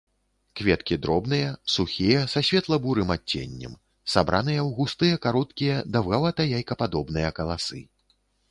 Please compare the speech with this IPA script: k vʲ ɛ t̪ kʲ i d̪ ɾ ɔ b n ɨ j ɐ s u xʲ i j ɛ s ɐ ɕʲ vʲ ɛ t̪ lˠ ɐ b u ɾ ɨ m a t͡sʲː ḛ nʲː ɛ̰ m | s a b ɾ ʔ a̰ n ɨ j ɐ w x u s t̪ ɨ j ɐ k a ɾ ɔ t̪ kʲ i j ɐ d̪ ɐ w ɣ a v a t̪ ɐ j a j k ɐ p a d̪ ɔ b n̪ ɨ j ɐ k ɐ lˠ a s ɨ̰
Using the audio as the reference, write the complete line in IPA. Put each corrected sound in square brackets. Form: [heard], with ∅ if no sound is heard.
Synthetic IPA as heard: k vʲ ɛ t̪ kʲ i d̪ ɾ ɔ b n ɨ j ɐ s u xʲ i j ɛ s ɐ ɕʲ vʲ ɛ t̪ lˠ ɐ b u ɾ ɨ m a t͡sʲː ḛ nʲː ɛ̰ m | s a b ɾ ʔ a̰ n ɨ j ɐ w [ɣ] u s t̪ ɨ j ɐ k a ɾ ɔ t̪ kʲ i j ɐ d̪ ɐ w ɣ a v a t̪ ɐ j a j k ɐ p a d̪ ɔ b n̪ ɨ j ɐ k ɐ lˠ a s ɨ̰